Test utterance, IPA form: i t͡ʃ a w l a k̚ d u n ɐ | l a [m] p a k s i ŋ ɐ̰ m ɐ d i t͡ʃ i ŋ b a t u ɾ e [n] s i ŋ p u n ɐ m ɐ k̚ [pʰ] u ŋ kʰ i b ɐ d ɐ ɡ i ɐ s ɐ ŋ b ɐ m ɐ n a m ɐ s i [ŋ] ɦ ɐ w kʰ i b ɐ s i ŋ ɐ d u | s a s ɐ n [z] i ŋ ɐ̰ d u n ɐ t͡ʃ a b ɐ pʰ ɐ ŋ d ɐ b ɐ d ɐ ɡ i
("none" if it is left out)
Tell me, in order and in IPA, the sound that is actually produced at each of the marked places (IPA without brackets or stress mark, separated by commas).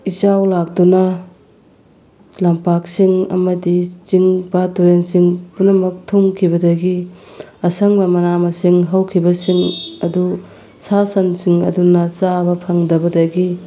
m, n, tʰ, ŋ, s